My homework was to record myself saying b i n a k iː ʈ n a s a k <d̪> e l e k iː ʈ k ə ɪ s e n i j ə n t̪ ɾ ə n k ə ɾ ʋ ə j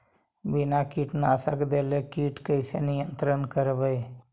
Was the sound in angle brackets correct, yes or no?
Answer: yes